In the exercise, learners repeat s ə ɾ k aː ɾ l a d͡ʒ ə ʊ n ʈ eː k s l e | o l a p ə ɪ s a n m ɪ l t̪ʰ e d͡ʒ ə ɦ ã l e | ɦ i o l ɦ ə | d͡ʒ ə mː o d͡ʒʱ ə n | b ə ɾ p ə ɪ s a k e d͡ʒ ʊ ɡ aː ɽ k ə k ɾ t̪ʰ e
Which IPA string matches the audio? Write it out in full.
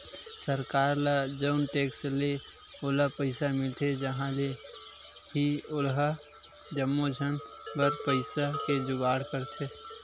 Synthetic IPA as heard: s ə ɾ k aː ɾ l a d͡ʒ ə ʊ n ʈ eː k s l e | o l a p ə ɪ s a m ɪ l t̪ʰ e d͡ʒ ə ɦ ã l e | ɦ i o l ɦ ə | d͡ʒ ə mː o d͡ʒʱ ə n | b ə ɾ p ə ɪ s a k e d͡ʒ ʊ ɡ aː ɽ k ə ɾ t̪ʰ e